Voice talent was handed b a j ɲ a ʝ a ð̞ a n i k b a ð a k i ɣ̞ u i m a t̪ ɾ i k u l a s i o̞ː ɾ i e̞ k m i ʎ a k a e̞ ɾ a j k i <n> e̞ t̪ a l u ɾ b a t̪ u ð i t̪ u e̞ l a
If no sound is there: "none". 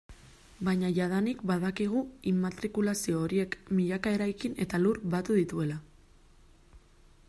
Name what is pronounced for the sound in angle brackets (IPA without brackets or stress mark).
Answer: n